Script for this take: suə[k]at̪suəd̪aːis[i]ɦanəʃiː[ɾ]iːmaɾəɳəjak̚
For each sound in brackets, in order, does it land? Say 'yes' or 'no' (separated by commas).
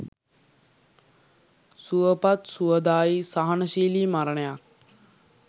no, no, no